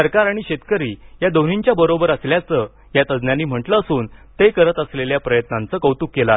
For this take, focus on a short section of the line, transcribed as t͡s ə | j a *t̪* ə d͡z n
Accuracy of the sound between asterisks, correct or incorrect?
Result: correct